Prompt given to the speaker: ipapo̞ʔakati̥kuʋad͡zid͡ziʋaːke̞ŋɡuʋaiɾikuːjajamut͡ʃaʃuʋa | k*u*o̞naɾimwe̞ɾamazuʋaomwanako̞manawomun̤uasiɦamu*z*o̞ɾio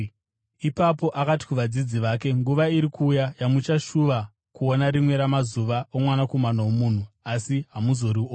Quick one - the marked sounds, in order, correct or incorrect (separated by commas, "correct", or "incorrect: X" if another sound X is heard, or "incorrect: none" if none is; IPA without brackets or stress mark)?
correct, correct